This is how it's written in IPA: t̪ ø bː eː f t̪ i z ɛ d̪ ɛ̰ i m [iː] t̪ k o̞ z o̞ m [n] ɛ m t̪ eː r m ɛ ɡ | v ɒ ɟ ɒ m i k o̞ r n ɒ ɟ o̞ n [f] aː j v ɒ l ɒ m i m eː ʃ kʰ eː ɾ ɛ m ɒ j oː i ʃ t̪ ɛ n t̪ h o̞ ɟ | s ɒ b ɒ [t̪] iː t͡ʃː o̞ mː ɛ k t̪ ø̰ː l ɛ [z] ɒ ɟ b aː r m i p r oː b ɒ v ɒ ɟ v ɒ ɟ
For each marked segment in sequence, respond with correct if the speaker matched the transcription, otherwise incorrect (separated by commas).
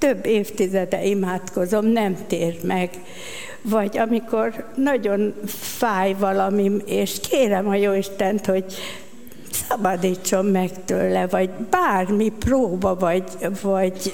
incorrect, correct, correct, incorrect, incorrect